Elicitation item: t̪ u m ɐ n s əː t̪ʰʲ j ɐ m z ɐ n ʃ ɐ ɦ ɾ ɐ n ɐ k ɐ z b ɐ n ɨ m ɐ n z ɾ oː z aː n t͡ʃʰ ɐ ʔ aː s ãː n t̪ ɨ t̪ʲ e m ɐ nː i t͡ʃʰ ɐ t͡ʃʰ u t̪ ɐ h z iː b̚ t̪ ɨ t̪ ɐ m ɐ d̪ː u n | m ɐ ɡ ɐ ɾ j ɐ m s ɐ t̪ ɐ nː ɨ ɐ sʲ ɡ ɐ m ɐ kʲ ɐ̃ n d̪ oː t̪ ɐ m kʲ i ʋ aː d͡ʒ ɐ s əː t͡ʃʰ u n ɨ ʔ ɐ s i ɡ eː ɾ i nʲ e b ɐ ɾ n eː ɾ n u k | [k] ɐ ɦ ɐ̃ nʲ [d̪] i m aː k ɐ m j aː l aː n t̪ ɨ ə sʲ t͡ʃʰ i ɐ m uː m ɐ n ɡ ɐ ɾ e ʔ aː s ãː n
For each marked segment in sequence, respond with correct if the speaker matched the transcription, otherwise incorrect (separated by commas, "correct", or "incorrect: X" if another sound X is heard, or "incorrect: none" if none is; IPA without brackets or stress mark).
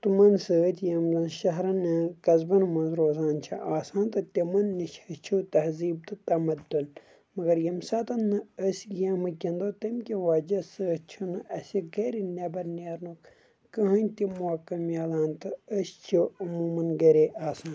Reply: correct, incorrect: t̪